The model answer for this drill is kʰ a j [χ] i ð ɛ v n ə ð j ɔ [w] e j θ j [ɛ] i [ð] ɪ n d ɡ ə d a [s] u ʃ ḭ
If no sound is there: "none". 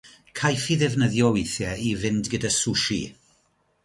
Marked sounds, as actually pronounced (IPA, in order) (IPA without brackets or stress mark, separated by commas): f, w, ɛ, v, s